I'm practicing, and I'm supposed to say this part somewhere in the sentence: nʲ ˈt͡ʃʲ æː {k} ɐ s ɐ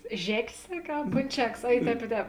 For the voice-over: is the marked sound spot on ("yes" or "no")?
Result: yes